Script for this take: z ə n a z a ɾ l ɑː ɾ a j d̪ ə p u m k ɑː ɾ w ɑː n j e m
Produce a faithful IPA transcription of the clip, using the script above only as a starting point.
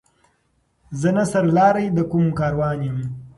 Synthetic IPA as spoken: z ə n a s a ɾ l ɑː ɾ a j d̪ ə k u m k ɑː ɾ w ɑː n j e m